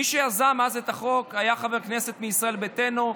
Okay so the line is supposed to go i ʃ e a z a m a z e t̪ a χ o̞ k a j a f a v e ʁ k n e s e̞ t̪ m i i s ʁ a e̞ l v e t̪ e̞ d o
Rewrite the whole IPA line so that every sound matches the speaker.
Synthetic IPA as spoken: i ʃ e a z a m a z e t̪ a χ o̞ k a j a χ a v e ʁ k n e s e̞ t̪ m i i s ʁ a e̞ l b e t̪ e̞ n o

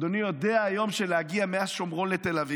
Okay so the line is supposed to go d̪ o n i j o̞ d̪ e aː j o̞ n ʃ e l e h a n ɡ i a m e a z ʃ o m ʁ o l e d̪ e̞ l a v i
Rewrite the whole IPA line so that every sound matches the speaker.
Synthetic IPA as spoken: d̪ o n i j o̞ d̪ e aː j o̞ m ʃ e l e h a ɡ i a m e a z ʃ o m ʁ o l e t̪ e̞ l a v i

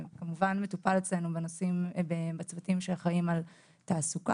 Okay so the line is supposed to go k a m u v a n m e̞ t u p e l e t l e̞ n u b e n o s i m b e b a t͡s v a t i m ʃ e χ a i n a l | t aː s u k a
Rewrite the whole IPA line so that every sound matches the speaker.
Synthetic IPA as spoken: k a m u v a n m e̞ t u p a l e t͡s l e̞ n u b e n o s i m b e b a t͡s v a t i m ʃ e χ a i m a l | t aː s u k a

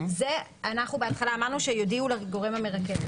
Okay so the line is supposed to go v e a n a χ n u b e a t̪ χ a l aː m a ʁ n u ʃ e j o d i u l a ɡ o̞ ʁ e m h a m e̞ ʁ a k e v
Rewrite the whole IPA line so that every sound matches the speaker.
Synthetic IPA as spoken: z e a n a χ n u b e a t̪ χ a l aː m a ʁ n u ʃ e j o d i u l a ɡ o̞ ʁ e m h a m e̞ ʁ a k e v

